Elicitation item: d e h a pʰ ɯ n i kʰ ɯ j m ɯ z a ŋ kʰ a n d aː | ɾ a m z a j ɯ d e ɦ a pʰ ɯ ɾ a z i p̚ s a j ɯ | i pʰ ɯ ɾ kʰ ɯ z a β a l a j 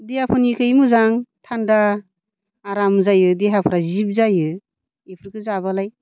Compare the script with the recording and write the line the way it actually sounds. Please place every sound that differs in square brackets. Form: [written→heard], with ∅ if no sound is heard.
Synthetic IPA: d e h a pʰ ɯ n i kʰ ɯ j m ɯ z a ŋ [kʰ→tʰ] a n d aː | ɾ a m z a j ɯ d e ɦ a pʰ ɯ ɾ a z i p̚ [s→z] a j ɯ | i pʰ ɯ ɾ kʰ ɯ z a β a l a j